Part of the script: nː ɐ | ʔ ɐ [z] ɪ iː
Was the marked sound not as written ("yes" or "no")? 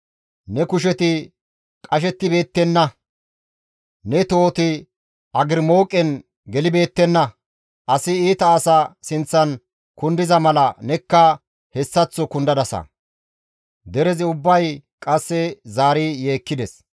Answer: yes